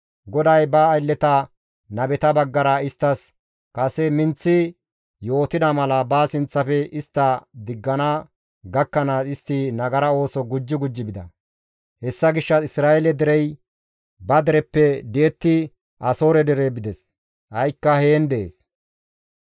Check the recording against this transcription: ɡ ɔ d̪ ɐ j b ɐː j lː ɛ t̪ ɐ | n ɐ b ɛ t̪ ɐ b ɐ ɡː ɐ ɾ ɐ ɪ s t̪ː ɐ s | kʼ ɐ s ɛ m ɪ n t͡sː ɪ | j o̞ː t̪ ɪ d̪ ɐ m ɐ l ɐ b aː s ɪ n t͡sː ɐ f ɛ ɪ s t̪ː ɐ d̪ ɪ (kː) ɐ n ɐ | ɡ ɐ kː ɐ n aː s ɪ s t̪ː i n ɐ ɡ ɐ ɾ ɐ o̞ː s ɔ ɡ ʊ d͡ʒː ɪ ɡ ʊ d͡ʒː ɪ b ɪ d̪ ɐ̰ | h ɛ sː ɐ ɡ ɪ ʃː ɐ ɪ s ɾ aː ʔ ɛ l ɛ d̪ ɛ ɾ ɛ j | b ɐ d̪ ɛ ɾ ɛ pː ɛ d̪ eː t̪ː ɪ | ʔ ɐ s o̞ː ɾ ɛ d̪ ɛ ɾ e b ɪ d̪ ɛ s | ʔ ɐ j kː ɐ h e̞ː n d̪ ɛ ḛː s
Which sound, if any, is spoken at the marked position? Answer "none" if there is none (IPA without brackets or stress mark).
ɡː